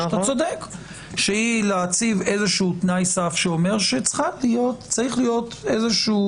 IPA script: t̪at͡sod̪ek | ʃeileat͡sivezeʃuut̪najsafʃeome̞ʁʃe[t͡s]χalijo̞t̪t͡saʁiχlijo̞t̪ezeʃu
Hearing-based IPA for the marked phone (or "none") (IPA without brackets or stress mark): t͡s